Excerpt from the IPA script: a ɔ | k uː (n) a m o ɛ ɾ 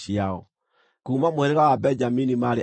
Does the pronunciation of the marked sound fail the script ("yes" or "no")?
yes